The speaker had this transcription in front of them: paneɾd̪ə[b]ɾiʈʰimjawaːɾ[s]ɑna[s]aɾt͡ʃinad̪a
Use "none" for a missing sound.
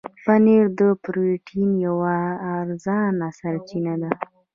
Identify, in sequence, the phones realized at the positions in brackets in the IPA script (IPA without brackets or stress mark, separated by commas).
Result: p, z, s